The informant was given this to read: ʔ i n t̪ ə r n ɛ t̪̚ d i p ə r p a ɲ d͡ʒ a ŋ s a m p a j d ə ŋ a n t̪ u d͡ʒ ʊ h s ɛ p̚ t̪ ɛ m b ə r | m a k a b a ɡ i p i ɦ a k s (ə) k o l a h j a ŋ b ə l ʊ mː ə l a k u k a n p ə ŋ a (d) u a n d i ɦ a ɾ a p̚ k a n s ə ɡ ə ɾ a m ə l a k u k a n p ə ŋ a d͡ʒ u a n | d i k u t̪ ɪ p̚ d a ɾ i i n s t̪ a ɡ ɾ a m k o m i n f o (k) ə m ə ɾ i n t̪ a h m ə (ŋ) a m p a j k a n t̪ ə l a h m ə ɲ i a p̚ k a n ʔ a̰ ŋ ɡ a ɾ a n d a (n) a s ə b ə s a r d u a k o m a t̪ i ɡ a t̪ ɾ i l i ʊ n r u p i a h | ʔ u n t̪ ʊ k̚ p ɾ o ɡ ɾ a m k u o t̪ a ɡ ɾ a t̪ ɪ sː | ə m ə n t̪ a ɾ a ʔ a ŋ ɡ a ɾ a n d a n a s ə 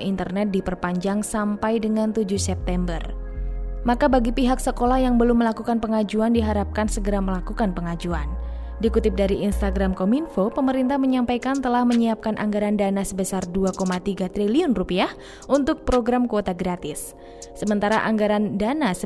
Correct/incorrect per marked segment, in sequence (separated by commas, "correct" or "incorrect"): correct, incorrect, incorrect, incorrect, correct